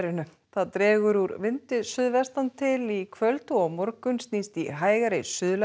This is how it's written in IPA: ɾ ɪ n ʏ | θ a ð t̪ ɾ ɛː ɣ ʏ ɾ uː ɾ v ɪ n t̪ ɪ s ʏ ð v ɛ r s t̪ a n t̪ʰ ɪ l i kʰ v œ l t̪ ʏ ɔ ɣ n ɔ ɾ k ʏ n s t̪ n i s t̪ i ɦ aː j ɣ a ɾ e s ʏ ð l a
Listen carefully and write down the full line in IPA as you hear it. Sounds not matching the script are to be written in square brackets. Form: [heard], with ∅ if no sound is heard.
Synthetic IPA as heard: ɾ ɪ n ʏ | θ a ð t̪ ɾ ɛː ɣ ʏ ɾ [u] ɾ v ɪ n t̪ ɪ s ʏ ð v ɛ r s t̪ a n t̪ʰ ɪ l i kʰ v œ l t̪ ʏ ɔ ɣ [m] ɔ ɾ k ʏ n s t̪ n i s t̪ i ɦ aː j ɣ a ɾ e s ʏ ð l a